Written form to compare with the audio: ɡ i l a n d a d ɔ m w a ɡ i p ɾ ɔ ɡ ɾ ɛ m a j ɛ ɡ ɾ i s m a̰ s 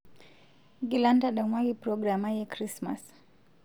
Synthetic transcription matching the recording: ɡ i l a n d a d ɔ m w a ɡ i p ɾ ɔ ɡ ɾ a m a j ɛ k ɾ i s m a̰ s